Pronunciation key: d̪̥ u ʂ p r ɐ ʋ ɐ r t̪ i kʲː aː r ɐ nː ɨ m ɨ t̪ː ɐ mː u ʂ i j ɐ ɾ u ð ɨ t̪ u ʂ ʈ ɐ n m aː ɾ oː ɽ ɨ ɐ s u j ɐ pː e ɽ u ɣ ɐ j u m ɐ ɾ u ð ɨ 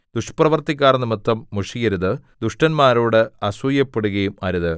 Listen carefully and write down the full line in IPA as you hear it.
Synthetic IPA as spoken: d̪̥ u ʂ p r ɐ ʋ ɐ r t̪ i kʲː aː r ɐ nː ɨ m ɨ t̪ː ɐ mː u ʂ i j ɐ ɾ u ð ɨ d̪ u ʂ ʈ ɐ n m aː ɾ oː ɽ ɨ ɐ s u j ɐ pː e ɽ u ɣ ɐ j u m ɐ ɾ u ð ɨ